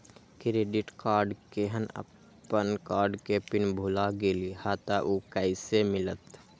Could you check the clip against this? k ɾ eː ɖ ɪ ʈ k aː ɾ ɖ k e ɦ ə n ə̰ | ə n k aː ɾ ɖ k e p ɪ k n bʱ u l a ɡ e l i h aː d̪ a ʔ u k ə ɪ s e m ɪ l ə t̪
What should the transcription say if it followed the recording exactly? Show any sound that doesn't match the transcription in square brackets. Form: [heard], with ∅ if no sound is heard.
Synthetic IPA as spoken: k ɾ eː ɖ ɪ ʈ k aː ɾ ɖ k e ɦ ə n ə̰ | ə n k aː ɾ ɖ k e p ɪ [∅] n bʱ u l a ɡ e l i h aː [t̪] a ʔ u k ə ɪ s e m ɪ l ə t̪